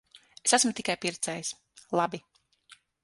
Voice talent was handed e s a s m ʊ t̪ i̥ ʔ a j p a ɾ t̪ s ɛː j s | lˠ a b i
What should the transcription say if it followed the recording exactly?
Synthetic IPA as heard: e s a s m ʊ t̪ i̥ k a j p i ɾ t̪ s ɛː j s | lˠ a b i